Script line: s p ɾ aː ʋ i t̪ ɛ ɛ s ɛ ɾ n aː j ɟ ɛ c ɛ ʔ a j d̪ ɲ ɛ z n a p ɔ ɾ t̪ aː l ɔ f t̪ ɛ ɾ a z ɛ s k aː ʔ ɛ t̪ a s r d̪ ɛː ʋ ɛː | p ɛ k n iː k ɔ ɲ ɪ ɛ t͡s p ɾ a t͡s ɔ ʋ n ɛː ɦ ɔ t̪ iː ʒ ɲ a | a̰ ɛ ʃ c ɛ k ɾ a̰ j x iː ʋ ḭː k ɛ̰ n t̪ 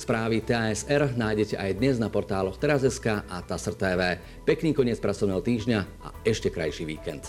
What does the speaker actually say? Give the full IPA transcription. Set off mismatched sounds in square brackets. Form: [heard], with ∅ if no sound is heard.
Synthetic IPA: s p ɾ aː ʋ i t̪ ɛ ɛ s ɛ ɾ n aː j ɟ ɛ c ɛ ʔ a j d̪ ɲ ɛ z n a p ɔ ɾ t̪ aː l ɔ [x] t̪ ɛ ɾ a z ɛ s k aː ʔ [a] t̪ a s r [t̪] ɛː ʋ ɛː | p ɛ k n iː k ɔ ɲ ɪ ɛ t͡s p ɾ a t͡s ɔ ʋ n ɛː ɦ ɔ t̪ iː ʒ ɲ a | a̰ ɛ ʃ c ɛ k ɾ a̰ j [ʃ] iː ʋ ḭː k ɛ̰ n t̪